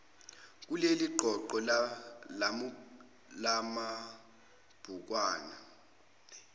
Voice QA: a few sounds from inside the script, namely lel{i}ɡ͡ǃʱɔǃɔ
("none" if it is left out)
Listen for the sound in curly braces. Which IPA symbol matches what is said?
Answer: i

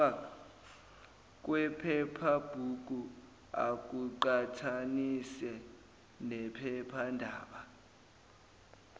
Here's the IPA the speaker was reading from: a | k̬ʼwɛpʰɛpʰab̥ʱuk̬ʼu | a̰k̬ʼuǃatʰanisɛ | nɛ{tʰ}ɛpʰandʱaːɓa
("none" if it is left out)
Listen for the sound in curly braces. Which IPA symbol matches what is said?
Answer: pʰ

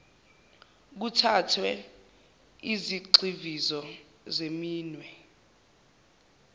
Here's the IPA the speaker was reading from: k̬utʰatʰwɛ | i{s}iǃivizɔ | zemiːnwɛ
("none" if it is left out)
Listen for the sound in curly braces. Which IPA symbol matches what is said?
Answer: z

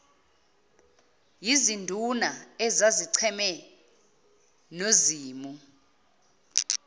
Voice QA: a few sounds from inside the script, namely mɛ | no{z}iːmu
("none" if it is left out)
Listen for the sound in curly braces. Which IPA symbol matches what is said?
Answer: z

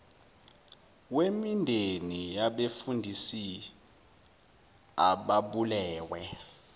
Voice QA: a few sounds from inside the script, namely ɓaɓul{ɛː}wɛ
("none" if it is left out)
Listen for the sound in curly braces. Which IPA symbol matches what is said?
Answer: ɛː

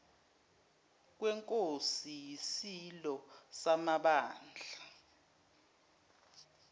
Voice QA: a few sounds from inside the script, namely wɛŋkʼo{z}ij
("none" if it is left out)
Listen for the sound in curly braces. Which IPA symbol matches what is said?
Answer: s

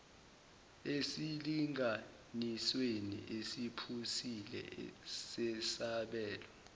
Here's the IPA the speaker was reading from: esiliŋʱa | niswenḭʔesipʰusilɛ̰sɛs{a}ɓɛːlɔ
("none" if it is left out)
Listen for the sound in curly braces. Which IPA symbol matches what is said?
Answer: a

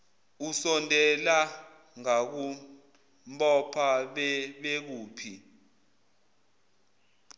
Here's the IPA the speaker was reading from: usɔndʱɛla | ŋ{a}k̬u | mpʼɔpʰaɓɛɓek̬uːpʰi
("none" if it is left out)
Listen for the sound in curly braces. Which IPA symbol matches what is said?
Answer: a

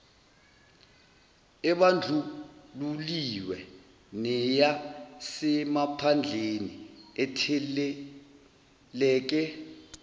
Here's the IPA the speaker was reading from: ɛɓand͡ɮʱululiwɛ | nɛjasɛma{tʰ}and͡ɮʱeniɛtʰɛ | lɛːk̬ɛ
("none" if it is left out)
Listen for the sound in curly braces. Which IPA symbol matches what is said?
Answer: pʰ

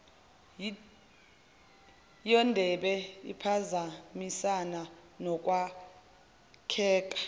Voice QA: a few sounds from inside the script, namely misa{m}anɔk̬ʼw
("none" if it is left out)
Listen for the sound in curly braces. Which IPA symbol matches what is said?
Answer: n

